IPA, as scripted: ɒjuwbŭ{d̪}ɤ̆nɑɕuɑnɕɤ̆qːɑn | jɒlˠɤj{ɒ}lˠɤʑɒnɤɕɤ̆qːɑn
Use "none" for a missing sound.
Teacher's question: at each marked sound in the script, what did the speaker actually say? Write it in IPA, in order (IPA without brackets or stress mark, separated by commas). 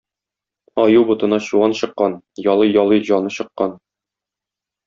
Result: t̪, ɒ